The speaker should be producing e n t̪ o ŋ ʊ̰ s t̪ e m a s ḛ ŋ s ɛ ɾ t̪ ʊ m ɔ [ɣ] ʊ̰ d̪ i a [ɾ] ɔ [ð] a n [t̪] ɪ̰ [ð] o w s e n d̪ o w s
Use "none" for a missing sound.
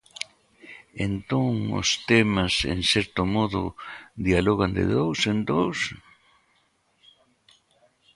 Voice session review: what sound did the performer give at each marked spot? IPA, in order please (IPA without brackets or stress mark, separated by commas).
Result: ð, l, ɣ, d̪, ð